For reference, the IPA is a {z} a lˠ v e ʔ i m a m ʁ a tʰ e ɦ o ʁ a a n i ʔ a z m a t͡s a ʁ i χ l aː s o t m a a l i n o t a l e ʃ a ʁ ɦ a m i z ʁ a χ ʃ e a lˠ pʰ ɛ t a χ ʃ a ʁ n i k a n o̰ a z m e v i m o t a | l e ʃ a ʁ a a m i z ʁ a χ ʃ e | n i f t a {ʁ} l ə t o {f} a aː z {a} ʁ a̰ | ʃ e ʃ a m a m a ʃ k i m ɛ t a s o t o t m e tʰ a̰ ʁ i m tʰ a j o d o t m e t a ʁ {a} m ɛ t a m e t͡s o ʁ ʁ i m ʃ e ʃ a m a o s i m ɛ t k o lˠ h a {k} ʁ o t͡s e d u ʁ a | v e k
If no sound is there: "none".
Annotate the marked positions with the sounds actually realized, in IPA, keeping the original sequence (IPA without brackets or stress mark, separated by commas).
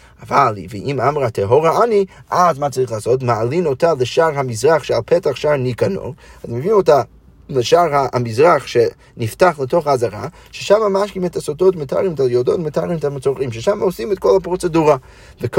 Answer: v, χ, χ, a, i, p